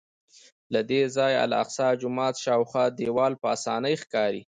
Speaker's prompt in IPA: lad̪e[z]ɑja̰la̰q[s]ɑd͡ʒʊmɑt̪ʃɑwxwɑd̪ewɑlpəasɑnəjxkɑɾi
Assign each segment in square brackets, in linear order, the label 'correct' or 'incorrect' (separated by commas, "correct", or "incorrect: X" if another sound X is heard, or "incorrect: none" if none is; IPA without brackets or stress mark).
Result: correct, correct